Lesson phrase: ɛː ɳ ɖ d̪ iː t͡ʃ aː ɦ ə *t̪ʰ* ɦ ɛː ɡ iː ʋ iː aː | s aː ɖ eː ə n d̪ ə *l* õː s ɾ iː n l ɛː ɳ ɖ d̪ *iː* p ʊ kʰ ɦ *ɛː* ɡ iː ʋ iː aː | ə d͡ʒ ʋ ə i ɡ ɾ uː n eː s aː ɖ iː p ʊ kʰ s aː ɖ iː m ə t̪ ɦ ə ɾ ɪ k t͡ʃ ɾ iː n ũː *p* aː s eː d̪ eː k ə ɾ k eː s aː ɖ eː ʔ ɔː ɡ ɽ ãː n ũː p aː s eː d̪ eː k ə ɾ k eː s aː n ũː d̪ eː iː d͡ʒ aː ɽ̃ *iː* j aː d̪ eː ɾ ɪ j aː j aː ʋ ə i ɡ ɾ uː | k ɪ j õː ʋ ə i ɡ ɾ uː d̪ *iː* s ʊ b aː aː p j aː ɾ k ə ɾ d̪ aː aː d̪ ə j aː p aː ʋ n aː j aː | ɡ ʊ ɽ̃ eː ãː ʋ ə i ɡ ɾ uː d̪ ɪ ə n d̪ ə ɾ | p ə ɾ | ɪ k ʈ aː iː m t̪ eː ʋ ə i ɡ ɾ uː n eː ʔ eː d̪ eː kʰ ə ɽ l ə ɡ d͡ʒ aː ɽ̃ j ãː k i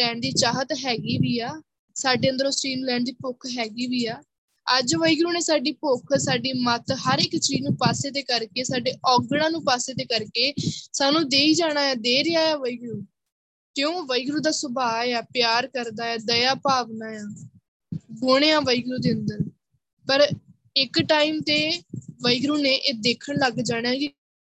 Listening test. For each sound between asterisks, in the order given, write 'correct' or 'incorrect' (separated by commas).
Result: incorrect, incorrect, correct, correct, correct, incorrect, incorrect